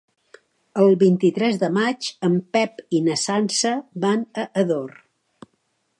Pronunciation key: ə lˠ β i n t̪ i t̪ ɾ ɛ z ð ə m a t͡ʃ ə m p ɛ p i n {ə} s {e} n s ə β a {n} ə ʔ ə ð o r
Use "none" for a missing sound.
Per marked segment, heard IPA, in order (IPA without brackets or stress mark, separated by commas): ə, a, n